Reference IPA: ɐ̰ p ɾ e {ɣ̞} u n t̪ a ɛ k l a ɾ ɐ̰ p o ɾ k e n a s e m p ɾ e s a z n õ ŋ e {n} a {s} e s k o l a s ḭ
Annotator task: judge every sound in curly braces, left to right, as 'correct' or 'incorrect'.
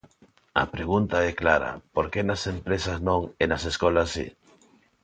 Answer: correct, correct, correct

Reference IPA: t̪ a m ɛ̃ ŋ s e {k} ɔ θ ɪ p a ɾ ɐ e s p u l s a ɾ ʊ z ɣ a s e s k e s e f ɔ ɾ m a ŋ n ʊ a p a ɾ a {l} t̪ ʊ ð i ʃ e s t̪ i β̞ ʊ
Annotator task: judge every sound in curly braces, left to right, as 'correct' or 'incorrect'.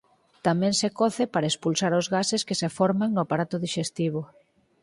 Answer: correct, incorrect: none

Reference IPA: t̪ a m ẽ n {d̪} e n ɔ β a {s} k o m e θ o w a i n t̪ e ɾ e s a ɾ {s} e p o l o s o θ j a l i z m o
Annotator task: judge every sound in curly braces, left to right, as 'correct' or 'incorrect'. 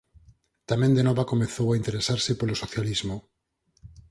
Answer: correct, incorrect: none, correct

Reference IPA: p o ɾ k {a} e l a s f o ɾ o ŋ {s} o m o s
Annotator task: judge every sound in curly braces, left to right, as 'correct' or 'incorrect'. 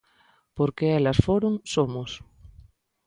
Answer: incorrect: e, correct

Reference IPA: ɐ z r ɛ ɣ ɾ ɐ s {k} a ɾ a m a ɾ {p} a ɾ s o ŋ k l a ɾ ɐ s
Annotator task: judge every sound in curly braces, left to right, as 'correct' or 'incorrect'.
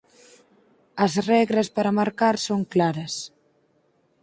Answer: incorrect: p, incorrect: k

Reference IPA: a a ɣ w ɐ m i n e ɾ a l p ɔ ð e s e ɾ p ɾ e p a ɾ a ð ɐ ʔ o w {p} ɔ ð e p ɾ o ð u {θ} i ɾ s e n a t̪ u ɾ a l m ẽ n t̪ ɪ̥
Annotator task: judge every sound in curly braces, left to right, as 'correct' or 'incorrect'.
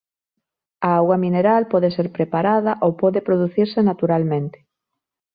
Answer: correct, correct

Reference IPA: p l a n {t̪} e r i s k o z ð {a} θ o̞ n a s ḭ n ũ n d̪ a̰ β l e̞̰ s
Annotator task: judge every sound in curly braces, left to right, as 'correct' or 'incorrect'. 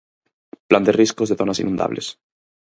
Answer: incorrect: d̪, incorrect: e

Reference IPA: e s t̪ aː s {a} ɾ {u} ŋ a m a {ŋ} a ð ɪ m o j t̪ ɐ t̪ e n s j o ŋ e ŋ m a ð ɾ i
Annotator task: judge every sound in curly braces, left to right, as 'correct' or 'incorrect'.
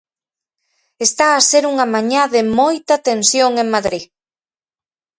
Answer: incorrect: e, correct, incorrect: ɲ

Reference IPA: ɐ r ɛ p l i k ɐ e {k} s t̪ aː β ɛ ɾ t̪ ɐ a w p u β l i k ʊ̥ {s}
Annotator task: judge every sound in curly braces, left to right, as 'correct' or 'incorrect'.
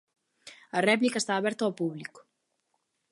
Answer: incorrect: none, incorrect: none

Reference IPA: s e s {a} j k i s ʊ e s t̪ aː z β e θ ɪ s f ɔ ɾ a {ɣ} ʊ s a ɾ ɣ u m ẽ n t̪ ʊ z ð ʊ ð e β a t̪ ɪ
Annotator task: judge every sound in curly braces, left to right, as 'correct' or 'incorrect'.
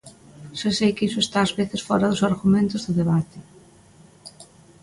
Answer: incorrect: e, incorrect: ð

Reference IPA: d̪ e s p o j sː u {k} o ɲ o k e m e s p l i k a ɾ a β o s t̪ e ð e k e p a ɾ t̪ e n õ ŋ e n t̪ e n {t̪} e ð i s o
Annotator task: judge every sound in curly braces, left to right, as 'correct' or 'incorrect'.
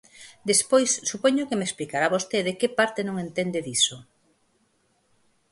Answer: incorrect: p, incorrect: d̪

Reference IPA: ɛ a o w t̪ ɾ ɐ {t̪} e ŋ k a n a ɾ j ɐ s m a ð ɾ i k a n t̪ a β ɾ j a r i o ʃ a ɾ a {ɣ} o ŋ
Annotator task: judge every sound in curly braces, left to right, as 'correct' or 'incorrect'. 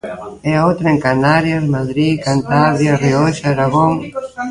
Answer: incorrect: none, correct

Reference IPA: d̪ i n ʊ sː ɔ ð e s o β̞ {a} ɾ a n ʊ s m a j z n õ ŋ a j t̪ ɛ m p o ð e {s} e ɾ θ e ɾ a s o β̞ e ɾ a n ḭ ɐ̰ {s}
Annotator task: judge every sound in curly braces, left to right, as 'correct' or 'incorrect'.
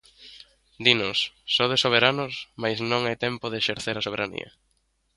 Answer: incorrect: e, incorrect: ʃ, incorrect: none

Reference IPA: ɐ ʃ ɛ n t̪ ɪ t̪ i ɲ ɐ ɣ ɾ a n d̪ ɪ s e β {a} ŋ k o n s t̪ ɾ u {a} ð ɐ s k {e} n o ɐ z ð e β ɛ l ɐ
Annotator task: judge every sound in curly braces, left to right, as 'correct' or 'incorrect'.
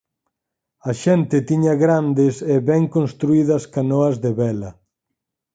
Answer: incorrect: ɛ, incorrect: i, incorrect: a

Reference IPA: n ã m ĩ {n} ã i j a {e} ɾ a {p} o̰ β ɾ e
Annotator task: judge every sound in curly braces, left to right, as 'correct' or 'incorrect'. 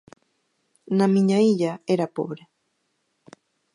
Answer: incorrect: ɲ, correct, correct

